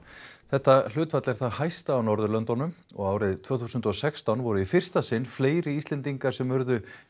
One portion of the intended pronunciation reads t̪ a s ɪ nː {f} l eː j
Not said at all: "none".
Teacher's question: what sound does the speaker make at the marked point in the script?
f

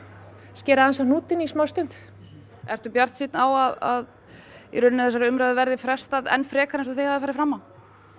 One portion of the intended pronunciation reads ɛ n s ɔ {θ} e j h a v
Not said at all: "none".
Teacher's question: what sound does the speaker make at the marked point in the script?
θ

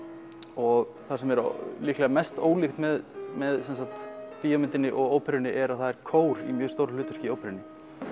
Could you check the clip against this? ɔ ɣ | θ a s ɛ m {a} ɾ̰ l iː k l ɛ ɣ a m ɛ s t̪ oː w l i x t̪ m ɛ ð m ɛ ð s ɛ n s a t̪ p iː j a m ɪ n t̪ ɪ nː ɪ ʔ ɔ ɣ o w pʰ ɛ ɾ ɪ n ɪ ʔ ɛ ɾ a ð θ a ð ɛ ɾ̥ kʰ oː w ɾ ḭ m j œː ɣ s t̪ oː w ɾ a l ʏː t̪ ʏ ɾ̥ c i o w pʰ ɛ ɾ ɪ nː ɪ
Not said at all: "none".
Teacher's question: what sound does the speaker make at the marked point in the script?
ɛ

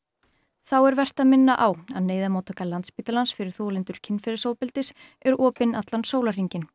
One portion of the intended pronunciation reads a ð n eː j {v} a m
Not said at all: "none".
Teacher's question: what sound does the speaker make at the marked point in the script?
ð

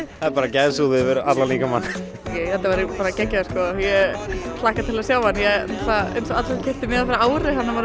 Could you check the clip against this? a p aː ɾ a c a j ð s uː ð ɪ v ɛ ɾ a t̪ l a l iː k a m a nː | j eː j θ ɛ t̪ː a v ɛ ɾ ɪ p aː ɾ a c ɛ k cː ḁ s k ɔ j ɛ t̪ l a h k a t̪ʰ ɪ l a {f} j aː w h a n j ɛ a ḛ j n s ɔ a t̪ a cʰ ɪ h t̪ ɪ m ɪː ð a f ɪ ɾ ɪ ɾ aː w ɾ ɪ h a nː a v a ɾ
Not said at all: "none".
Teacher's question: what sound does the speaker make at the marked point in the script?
s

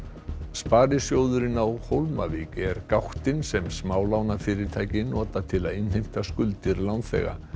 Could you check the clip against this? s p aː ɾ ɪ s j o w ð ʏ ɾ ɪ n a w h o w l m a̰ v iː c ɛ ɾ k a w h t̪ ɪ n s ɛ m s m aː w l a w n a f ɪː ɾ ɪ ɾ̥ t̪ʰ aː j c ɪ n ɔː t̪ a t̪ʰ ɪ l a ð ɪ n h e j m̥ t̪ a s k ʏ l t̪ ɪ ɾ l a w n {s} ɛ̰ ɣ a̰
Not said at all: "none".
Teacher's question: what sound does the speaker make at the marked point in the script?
θ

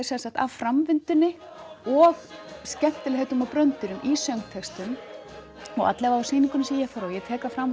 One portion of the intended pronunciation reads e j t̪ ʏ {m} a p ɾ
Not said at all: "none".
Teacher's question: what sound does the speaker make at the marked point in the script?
m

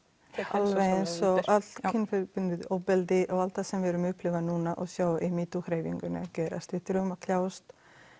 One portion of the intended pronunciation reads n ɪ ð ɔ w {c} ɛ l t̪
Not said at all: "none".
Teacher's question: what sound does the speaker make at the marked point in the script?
p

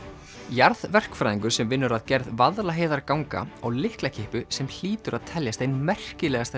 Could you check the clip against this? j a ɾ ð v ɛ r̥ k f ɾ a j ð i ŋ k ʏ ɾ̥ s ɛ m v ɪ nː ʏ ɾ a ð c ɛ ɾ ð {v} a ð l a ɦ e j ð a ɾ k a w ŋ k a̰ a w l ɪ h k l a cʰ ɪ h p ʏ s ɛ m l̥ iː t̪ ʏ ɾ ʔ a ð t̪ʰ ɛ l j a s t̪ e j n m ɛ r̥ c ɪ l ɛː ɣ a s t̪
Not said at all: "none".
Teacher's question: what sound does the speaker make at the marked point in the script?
v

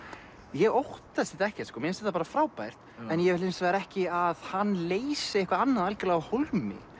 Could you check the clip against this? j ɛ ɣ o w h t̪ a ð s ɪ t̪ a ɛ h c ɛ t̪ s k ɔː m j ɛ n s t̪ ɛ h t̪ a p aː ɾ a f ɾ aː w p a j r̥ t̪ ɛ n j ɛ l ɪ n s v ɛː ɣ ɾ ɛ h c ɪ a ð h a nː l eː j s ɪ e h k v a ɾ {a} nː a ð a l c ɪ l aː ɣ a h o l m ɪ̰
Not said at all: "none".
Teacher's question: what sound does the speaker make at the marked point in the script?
a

